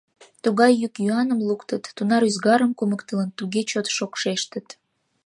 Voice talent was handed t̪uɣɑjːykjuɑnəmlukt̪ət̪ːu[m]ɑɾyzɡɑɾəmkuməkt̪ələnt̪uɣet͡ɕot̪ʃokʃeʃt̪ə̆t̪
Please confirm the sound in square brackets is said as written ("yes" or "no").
no